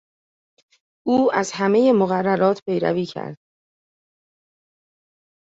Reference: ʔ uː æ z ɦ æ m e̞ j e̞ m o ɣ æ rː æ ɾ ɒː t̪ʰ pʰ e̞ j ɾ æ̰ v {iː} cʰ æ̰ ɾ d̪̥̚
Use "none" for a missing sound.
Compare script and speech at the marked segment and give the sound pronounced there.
iː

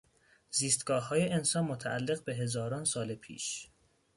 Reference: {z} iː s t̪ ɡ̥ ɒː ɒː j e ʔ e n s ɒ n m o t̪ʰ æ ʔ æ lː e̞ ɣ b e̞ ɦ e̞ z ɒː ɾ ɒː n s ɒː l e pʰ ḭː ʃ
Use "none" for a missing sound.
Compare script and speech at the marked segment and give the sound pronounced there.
z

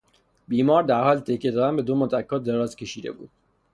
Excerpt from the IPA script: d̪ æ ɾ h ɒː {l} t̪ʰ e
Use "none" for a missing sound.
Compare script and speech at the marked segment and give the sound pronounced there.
l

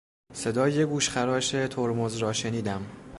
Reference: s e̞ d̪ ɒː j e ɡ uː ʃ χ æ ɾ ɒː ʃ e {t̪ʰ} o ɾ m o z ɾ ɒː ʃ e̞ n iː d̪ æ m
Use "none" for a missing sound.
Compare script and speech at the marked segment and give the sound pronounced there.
t̪ʰ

